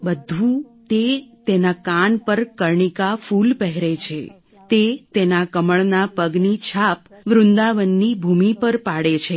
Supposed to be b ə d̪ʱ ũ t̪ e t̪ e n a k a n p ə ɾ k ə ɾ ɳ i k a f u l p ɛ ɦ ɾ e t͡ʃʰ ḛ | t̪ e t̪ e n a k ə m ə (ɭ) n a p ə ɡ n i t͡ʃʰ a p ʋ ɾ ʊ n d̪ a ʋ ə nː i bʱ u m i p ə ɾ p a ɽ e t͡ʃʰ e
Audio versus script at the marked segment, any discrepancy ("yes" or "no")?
no